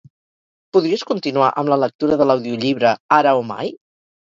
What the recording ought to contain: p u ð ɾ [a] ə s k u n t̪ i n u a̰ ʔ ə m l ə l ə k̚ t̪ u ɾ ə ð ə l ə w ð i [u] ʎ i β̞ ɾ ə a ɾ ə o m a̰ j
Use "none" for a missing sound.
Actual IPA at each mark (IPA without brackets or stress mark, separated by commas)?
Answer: i, u